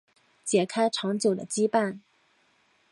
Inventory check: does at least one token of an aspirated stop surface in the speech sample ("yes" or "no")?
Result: yes